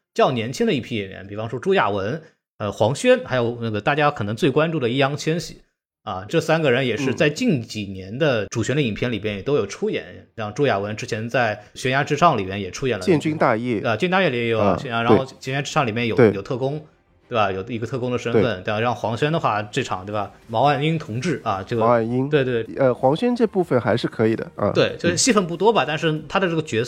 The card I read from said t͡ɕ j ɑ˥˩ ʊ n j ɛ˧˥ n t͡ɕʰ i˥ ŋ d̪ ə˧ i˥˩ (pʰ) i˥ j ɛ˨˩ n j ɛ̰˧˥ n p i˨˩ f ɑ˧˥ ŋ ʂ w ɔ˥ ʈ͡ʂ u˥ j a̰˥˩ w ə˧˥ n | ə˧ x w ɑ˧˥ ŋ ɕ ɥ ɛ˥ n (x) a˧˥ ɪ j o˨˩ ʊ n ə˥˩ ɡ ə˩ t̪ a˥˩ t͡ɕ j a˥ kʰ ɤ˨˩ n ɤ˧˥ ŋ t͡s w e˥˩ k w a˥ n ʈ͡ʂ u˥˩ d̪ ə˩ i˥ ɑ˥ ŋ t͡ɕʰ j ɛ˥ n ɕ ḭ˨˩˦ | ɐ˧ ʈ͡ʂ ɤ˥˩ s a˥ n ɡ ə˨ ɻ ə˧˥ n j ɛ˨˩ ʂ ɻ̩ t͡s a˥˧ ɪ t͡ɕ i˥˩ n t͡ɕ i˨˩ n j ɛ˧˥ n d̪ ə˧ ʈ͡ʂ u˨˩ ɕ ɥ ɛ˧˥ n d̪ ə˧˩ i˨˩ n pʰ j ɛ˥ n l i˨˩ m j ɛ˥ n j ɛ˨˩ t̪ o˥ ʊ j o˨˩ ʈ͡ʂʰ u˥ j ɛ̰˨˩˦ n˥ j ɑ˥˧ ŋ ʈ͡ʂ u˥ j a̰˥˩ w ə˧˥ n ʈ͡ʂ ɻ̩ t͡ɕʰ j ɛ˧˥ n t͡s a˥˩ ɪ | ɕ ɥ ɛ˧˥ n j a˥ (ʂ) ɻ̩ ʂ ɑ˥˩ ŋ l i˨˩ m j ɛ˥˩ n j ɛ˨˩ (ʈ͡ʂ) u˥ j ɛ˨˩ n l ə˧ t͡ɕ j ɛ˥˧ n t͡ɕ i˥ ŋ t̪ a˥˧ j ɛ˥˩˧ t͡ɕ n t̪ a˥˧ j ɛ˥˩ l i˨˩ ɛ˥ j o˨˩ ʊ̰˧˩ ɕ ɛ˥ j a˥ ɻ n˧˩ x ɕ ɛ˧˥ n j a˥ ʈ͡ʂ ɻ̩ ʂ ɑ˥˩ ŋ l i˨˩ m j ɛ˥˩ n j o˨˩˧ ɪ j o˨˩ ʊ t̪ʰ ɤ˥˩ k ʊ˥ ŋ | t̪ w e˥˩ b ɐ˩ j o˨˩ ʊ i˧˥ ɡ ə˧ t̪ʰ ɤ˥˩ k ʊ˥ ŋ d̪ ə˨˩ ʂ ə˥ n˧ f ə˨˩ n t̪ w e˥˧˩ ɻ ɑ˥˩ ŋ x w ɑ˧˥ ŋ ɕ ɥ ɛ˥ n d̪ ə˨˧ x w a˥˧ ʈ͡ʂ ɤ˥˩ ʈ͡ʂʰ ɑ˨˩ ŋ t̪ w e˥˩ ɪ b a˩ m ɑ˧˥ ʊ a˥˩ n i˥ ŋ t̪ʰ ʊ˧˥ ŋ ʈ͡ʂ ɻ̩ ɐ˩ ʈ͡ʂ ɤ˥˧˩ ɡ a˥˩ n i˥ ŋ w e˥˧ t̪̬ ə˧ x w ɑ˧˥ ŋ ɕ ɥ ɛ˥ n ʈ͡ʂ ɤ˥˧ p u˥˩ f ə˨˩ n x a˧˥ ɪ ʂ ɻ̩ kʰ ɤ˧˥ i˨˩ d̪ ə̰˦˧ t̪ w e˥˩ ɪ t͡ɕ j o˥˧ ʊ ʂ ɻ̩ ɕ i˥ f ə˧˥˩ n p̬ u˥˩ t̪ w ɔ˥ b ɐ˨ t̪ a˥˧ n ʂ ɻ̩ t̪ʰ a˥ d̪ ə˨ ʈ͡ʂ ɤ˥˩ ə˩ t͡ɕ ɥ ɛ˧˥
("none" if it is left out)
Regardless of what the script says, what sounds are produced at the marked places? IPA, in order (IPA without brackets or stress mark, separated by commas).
pʰ, x, ʈ͡ʂ, ʈ͡ʂʰ